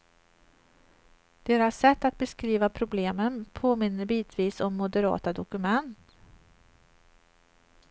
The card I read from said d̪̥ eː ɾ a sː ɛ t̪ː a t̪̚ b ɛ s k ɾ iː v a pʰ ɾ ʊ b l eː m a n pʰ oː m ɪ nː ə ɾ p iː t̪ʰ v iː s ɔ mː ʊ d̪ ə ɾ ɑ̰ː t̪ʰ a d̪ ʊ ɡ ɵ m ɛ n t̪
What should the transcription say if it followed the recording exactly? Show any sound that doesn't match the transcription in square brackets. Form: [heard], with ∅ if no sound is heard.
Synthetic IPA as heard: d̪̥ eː ɾ a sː ɛ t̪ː a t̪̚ b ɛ s k ɾ iː v a pʰ ɾ ʊ b l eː m [ə] n pʰ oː m ɪ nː ə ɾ [b] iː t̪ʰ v iː s ɔ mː ʊ d̪ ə ɾ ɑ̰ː [t̪] a d̪ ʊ [k] ɵ m ɛ n t̪